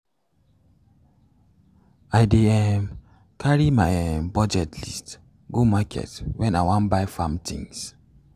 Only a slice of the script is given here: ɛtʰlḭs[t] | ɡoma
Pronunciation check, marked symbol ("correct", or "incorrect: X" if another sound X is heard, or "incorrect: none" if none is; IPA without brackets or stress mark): correct